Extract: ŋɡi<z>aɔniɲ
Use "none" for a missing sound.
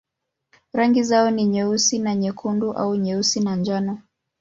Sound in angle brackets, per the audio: z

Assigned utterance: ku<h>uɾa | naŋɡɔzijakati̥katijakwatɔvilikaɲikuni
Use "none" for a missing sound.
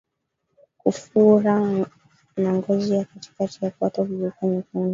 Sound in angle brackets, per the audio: f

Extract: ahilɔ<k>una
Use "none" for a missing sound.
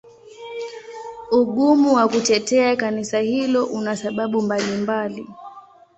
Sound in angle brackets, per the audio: ʔ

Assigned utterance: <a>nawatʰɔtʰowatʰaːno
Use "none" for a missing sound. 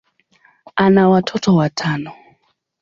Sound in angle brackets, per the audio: a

